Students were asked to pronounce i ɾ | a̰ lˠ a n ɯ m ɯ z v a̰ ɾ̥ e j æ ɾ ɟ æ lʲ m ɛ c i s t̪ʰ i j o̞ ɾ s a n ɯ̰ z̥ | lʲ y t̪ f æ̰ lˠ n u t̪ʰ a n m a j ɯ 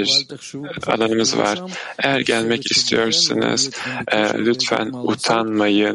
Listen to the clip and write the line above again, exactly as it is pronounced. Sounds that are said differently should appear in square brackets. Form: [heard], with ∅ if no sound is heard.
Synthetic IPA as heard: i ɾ | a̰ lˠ a n ɯ m ɯ z v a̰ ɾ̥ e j æ ɾ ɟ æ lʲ m ɛ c i s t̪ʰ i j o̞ ɾ s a n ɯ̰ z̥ | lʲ y t̪ f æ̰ [∅] n u t̪ʰ a n m a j ɯ